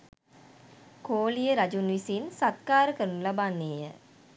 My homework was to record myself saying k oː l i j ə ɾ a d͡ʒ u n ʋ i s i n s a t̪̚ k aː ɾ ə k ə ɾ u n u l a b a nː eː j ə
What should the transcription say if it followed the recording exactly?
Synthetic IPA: k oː l i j ə ɾ a d͡ʒ u n ʋ i s i n s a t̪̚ k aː ɾ ə k ə ɾ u n u l a b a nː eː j ə